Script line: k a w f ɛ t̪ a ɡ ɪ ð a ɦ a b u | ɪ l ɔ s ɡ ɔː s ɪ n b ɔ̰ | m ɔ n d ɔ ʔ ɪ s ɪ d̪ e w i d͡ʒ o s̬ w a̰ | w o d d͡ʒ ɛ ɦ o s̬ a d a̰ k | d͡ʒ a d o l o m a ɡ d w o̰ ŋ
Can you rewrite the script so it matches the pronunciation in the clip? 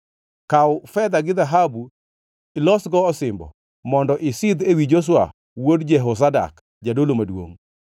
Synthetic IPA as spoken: k a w f ɛ d̪ a ɡ ɪ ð a ɦ a b u | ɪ l ɔ s ɡ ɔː s ɪ m b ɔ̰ | m ɔ n d ɔ ʔ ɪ s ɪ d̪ e w i d͡ʒ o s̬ w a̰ | w o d d͡ʒ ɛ ɦ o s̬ a d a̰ k | d͡ʒ a d o l o m a d w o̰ ŋ